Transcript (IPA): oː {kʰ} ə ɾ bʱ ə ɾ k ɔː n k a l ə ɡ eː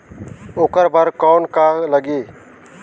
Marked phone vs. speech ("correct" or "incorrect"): incorrect